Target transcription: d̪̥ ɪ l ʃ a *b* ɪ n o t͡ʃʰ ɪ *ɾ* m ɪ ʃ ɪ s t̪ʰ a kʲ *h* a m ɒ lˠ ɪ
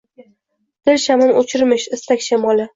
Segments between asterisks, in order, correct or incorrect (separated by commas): incorrect, correct, incorrect